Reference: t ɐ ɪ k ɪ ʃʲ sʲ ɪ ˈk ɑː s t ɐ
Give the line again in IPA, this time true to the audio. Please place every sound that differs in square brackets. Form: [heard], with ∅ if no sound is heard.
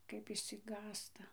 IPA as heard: [k] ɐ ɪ [p] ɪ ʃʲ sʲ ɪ [ˈɡ] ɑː s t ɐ